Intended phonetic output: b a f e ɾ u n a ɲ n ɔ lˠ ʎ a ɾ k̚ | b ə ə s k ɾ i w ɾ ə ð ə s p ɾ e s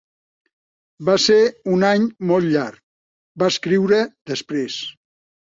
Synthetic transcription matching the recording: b a s e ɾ u n a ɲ m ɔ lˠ ʎ a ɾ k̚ | b a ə s k ɾ i w ɾ ə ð ə s p ɾ e s